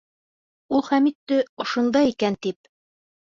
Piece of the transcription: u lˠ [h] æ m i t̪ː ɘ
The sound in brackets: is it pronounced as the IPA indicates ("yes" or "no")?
no